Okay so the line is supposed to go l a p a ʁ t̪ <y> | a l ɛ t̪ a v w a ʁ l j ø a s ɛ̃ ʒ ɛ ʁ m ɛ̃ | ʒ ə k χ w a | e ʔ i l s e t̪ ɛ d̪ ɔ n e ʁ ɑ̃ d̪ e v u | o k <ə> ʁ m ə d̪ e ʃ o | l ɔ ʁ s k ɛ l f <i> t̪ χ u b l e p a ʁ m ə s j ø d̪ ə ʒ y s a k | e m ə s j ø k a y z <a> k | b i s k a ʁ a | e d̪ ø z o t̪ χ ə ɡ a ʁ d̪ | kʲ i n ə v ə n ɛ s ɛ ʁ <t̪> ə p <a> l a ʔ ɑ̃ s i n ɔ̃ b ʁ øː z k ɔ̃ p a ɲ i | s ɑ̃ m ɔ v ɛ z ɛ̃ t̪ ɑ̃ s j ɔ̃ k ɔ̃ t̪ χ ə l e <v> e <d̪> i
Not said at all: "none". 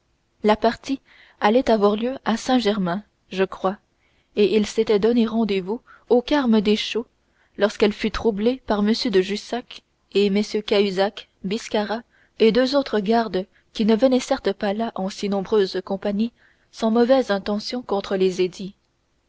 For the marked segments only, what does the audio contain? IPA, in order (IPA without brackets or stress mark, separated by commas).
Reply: i, a, y, a, t̪, a, z, d̪